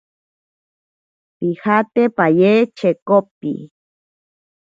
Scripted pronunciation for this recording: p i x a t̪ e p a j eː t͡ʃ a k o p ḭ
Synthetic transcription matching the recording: p i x a t̪ e p a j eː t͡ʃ e k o p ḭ

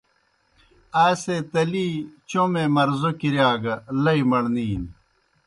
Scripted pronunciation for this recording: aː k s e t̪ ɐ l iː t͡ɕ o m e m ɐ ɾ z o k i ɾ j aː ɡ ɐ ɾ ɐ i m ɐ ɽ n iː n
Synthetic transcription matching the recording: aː s e t̪ ɐ l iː t͡ɕ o m e m ɐ ɾ z o k i ɾ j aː ɡ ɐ l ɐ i m ɐ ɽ n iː n

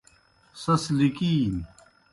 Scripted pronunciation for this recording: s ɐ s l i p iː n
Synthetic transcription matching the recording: s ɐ s l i k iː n

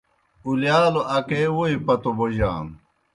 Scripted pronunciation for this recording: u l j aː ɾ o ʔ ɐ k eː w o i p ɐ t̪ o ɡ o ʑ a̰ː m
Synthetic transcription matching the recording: u l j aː l o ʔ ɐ k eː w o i p ɐ t̪ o b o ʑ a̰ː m

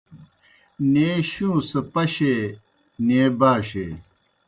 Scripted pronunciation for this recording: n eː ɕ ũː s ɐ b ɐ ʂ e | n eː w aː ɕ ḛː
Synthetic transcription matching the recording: n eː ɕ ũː s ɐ p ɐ ɕ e | n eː b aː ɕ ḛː

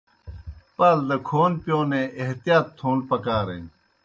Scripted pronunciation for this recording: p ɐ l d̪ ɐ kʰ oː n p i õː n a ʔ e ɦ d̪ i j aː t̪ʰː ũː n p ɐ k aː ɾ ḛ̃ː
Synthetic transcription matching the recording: p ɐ l d̪ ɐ kʰ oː n p j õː n e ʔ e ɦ t̪ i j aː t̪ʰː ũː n p ɐ k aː ɾ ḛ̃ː

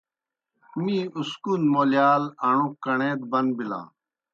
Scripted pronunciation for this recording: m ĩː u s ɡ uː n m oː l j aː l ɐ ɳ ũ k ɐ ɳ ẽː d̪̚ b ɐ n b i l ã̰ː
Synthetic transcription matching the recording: m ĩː u s k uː n m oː l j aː l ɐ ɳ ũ k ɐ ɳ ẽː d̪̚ b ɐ n b i l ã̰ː

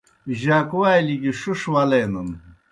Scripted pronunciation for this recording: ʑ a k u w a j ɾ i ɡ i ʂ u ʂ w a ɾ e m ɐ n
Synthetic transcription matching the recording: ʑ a k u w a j l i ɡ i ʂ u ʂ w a l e n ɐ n

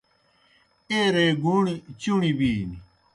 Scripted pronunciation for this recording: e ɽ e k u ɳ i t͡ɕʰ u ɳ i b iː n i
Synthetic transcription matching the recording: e ɾ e ɡ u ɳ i t͡ɕ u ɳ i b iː n i

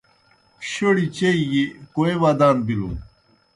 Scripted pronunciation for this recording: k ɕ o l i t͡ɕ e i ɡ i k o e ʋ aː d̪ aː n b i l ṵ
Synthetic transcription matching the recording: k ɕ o ɽ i t͡ɕ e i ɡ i k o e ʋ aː d̪ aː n b i l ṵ

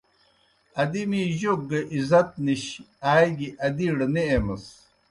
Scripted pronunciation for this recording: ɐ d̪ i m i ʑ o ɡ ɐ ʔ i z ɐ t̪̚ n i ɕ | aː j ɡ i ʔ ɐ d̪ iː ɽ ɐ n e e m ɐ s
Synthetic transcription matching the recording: ɐ d̪ i m i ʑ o ɡ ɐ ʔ i z ɐ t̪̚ n i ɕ | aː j ɡ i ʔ ɐ d̪ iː ɽ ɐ n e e m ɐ s

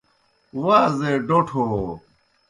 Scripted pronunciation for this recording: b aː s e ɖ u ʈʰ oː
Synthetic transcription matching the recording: w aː z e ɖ o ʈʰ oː

